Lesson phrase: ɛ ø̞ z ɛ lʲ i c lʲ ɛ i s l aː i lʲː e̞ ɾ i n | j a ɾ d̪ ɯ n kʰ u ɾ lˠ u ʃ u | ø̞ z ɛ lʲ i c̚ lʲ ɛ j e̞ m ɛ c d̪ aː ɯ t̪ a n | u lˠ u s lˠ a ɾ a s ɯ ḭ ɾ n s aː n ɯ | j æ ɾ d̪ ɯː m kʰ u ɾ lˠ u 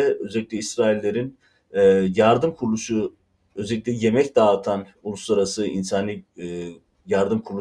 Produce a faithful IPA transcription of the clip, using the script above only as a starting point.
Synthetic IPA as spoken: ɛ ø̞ z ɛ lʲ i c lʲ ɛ i s ɾ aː i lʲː e̞ ɾ i n | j a ɾ d̪ ɯ m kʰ u ɾ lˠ u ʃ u | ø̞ z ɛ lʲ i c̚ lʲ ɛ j e̞ m ɛ c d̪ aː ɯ t̪ʰ a n | u lˠ u s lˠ a ɾ a s ɯ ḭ n s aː n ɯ | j a ɾ d̪ ɯ m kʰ u ɾ lˠ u